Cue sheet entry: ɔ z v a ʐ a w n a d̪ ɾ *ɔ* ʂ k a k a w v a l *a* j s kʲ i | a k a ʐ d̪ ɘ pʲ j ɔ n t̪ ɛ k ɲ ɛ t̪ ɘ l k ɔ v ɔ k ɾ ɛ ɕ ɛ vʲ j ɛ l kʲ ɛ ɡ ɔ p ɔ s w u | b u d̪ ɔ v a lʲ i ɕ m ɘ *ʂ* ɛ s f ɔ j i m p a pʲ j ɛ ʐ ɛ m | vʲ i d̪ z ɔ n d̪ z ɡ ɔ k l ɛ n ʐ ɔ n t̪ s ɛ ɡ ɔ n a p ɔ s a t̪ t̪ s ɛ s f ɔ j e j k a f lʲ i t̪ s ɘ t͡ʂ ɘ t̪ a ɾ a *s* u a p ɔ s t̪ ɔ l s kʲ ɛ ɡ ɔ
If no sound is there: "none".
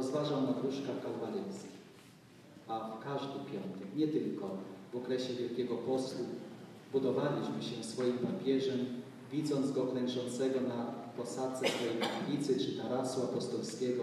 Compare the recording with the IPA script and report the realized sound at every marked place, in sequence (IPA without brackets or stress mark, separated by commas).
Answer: u, ɛ, ɕ, s